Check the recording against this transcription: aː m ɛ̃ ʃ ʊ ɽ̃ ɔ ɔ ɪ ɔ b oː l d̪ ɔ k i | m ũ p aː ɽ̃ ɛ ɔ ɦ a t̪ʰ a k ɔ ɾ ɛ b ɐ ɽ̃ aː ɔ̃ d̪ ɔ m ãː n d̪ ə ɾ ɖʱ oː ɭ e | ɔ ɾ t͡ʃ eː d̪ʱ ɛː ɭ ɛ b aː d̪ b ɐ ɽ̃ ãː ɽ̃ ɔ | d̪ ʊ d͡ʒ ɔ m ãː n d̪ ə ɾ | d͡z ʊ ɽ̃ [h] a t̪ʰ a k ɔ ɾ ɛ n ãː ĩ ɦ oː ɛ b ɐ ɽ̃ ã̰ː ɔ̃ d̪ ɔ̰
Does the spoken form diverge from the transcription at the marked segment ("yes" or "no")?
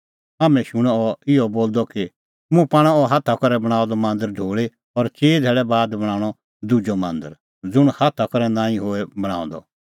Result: no